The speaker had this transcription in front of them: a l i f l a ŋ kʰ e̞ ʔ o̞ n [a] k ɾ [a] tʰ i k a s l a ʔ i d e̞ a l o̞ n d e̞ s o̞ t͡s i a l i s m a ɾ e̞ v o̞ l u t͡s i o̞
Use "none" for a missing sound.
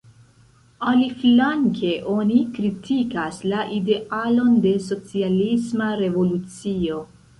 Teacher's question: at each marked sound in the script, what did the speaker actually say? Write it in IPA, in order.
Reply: i, i

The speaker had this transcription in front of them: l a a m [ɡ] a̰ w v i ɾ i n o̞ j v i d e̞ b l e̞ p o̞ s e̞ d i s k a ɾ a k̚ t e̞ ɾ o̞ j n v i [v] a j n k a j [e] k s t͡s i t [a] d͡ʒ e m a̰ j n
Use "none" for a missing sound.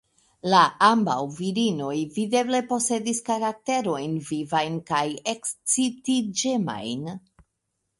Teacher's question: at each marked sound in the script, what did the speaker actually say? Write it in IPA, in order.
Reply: b, v, e, i

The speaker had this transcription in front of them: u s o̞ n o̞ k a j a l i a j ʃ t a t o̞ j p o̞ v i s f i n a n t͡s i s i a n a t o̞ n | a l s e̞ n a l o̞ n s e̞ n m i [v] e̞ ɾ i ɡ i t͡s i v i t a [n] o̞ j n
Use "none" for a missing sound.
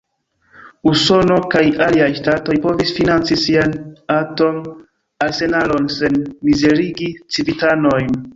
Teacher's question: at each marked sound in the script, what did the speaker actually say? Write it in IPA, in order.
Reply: z, n

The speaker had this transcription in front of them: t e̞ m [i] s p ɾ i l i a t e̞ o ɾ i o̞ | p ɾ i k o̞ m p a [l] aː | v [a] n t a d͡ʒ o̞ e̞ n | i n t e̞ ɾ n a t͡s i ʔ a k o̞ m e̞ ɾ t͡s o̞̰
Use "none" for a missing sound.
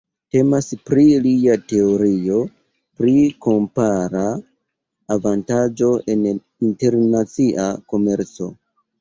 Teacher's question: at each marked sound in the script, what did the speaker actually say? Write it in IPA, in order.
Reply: a, ɾ, a

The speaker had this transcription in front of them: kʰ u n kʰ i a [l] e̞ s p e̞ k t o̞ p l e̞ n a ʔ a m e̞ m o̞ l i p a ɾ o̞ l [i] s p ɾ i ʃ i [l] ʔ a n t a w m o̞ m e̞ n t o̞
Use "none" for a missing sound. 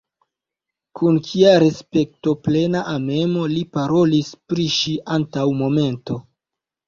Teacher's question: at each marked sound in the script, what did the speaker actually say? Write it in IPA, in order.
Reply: ɾ, i, none

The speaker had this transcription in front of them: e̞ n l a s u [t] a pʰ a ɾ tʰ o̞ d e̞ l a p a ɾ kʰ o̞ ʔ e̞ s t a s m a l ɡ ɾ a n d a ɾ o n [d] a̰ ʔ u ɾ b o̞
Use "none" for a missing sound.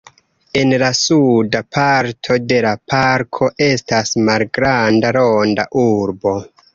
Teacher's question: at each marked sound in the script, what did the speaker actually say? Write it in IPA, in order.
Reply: d, d

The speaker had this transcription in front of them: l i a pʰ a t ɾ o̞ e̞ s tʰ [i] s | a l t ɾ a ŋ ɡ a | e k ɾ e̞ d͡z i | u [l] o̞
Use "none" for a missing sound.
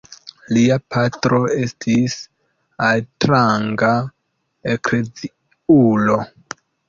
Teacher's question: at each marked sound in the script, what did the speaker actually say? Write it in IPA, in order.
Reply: i, l

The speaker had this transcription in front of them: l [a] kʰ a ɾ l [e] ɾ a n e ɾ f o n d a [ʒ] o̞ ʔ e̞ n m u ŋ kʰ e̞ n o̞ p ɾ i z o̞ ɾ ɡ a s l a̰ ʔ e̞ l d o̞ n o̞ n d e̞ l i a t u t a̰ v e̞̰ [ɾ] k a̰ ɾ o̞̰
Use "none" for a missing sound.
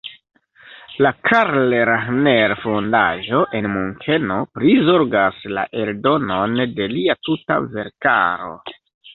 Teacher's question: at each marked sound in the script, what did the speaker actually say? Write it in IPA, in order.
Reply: a, e, ʒ, ɾ

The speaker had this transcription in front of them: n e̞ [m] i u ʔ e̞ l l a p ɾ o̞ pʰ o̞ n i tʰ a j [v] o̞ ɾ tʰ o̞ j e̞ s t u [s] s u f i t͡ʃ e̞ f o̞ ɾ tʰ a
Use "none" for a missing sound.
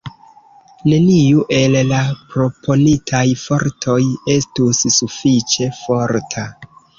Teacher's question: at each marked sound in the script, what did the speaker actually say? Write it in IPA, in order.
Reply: n, f, s

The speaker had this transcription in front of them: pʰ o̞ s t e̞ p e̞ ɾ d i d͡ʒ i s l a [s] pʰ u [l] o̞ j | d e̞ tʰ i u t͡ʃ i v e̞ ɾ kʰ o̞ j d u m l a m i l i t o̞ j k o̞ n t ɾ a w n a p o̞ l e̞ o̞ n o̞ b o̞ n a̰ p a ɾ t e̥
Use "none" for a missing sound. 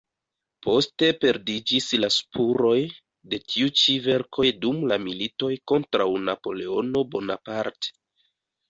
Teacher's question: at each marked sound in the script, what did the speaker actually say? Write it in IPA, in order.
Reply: s, ɾ

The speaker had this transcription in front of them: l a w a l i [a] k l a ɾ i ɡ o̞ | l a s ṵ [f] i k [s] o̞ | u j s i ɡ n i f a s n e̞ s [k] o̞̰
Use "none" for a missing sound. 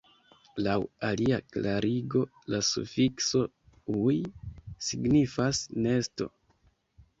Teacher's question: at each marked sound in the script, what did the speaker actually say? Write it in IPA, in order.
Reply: a, f, s, t

